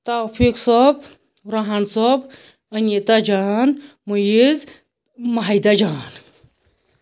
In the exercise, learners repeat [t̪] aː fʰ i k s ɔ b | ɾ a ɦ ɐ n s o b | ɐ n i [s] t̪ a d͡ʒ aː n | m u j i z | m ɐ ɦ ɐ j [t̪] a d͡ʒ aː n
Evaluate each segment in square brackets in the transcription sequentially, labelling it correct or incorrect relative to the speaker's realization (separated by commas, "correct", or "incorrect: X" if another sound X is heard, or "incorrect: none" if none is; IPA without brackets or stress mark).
correct, incorrect: none, incorrect: d̪